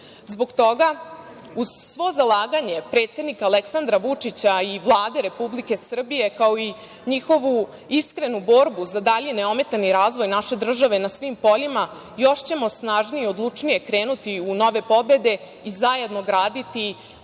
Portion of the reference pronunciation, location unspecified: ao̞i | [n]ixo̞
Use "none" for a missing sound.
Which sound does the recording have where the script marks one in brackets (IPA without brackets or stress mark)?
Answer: ɲ